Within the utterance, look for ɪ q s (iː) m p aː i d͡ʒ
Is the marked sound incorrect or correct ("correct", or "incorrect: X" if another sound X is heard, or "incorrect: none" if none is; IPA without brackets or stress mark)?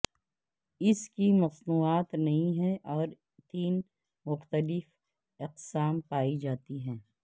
incorrect: aː